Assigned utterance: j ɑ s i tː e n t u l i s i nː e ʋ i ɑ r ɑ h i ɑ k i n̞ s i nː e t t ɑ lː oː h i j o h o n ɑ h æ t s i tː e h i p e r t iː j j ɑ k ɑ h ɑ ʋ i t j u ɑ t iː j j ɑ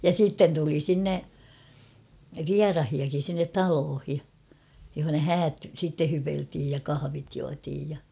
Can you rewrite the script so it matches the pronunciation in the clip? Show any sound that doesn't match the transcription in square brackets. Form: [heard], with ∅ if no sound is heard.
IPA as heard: j ɑ s i tː e n t u l i s i nː e ʋ i ɑ r ɑ h i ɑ k i n̞ s i nː e t t ɑ [l] oː h i j o h o n ɑ h [æː] t s i tː e h [y] p e [l] t iː j j ɑ k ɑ h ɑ ʋ i t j u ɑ t iː j j ɑ